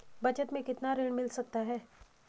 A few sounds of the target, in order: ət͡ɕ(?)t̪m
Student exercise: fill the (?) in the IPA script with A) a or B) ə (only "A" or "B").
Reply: B